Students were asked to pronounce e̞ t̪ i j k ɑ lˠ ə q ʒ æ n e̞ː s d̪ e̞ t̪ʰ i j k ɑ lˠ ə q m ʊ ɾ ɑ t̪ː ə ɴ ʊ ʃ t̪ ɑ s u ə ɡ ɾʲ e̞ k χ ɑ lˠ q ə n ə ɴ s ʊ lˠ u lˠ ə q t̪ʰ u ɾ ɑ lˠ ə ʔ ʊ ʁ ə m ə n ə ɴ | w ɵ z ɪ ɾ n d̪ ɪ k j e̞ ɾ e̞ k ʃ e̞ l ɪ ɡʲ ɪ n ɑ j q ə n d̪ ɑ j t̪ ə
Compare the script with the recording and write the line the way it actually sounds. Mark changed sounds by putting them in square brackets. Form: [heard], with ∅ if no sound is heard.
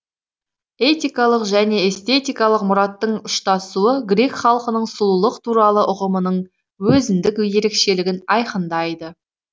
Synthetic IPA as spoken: e̞ t̪ i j k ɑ lˠ ə q ʒ æ n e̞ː s [t̪] e̞ [t̪] i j k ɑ lˠ ə q m ʊ ɾ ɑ t̪ː ə ɴ ʊ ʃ t̪ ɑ s u ə ɡ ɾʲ e̞ k χ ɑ lˠ q ə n ə ɴ s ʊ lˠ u lˠ ə q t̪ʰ u ɾ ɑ lˠ ə ʔ ʊ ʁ ə m ə n ə ɴ | w ɵ z ɪ [∅] n d̪ ɪ k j e̞ ɾ e̞ k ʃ e̞ l ɪ ɡʲ ɪ n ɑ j q ə n d̪ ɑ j [d̪] ə

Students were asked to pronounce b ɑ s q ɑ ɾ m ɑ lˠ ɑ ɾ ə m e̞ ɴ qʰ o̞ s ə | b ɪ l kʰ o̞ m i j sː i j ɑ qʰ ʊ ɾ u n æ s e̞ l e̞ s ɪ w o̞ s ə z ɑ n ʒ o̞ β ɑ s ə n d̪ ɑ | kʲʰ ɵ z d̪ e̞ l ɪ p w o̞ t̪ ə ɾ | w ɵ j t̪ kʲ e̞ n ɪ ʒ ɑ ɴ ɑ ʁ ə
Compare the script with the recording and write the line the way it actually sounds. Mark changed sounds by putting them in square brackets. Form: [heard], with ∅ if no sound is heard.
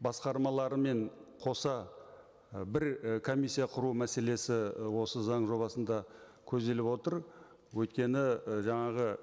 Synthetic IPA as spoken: b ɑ s q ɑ ɾ m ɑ lˠ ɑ ɾ ə m e̞ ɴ qʰ o̞ s [ɑ] | b ɪ [ɾ] kʰ o̞ m i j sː i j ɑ qʰ ʊ ɾ u [m] æ s e̞ l e̞ s ɪ w o̞ s ə z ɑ [ɴ] ʒ o̞ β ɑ s ə n d̪ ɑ | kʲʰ ɵ z d̪ e̞ l ɪ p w o̞ t̪ ə ɾ | w ɵ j t̪ kʲ e̞ n ɪ ʒ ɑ ɴ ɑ ʁ ə

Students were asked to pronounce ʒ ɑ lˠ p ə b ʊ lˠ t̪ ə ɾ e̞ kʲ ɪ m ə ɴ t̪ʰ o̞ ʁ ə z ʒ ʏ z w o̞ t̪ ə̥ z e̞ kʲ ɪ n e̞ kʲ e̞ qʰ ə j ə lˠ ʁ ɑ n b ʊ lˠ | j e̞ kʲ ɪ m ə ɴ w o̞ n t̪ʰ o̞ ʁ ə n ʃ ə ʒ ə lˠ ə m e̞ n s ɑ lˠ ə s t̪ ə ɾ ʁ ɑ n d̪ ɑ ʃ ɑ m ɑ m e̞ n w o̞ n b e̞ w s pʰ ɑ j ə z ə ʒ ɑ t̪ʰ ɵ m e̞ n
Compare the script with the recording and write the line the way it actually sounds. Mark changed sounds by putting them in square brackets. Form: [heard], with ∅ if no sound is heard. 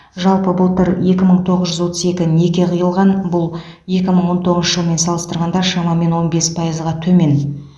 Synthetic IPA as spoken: ʒ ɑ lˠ p ə b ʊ lˠ t̪ ə ɾ e̞ kʲ ɪ m ə ɴ t̪ʰ o̞ ʁ ə z ʒ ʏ z w o̞ t̪ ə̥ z e̞ kʲ ɪ n e̞ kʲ e̞ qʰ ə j ə lˠ ʁ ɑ n b ʊ lˠ | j e̞ kʲ ɪ m ə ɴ w o̞ n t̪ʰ o̞ ʁ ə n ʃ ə ʒ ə lˠ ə m e̞ n s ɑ lˠ ə s t̪ ə ɾ ʁ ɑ n d̪ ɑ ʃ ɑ m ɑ m e̞ n w o̞ n b e̞ [∅] s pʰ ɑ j ə z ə [ʁ] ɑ t̪ʰ ɵ m e̞ n

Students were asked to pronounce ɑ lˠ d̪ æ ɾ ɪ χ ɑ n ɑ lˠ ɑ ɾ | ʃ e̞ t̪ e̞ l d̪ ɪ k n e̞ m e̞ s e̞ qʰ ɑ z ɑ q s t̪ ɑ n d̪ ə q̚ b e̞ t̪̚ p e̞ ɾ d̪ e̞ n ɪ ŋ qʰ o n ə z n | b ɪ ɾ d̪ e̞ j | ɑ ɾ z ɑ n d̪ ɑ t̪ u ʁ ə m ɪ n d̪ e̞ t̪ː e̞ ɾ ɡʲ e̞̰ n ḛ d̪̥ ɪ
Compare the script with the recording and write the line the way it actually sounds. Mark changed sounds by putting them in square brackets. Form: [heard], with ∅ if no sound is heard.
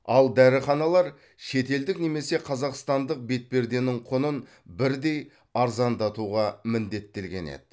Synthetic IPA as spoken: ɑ lˠ d̪ æ ɾ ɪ χ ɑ n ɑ lˠ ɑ ɾ | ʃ e̞ t̪ e̞ l d̪ ɪ k n e̞ m e̞ s e̞ qʰ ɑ z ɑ q s t̪ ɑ n d̪ ə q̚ b e̞ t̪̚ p e̞ ɾ d̪ e̞ n ɪ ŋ qʰ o n ə [∅] n | b ɪ ɾ d̪ e̞ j | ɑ ɾ z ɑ n d̪ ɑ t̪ u ʁ [ɑ] m ɪ n d̪ e̞ t̪ː e̞ [l] ɡʲ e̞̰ n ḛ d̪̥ ɪ

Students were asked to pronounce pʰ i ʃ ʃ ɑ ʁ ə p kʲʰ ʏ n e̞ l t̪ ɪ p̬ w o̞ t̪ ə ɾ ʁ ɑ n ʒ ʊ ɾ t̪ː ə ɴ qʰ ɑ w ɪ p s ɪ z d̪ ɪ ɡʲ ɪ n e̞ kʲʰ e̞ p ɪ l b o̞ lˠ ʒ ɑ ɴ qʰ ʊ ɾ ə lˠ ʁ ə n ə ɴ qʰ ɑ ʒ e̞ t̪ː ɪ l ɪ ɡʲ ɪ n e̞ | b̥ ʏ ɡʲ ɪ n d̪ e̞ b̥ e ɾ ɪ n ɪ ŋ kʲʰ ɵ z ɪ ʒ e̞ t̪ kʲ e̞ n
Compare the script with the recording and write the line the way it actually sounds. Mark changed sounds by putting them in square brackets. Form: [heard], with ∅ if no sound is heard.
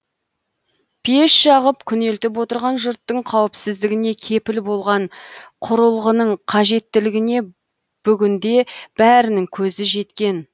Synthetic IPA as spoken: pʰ [e] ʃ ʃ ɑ ʁ ə p kʲʰ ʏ n e̞ l t̪ ɪ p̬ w o̞ t̪ ə ɾ ʁ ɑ n ʒ ʊ ɾ t̪ː ə ɴ qʰ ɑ w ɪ p s ɪ z d̪ ɪ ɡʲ ɪ n e̞ kʲʰ e̞ p ɪ l b o̞ lˠ [ʁ] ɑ ɴ qʰ ʊ ɾ ə lˠ ʁ ə n ə ɴ qʰ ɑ ʒ e̞ t̪ː ɪ l ɪ ɡʲ ɪ n e̞ | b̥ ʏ ɡʲ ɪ n d̪ e̞ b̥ [æ] ɾ ɪ n ɪ ŋ kʲʰ ɵ z ɪ ʒ e̞ t̪ kʲ e̞ n

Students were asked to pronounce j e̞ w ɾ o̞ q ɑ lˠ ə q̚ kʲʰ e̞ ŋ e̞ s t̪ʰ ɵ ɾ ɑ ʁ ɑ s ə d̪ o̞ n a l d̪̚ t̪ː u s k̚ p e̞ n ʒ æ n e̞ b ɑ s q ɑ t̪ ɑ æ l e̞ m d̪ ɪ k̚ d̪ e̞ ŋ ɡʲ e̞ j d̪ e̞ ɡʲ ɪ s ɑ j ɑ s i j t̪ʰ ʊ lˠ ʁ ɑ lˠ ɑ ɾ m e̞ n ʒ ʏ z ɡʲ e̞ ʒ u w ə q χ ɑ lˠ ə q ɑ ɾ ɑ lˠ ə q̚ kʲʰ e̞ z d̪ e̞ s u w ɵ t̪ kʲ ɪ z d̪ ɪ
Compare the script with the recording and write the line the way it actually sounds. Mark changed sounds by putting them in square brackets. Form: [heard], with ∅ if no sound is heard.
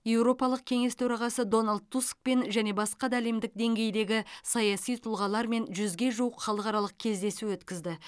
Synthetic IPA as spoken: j e̞ w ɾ o̞ [p] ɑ lˠ ə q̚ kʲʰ e̞ ŋ e̞ s t̪ʰ ɵ ɾ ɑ ʁ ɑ s ə d̪ o̞ n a l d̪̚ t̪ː u s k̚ p e̞ n ʒ æ n e̞ b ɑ s q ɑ [d̪] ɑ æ l e̞ m d̪ ɪ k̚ d̪ e̞ ŋ ɡʲ e̞ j d̪ e̞ ɡʲ ɪ s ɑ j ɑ s i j t̪ʰ ʊ lˠ ʁ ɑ lˠ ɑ ɾ m e̞ n ʒ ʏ z ɡʲ e̞ ʒ u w ə q χ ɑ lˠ ə q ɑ ɾ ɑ lˠ ə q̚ kʲʰ e̞ z d̪ e̞ s u w ɵ t̪ kʲ ɪ z d̪ ɪ

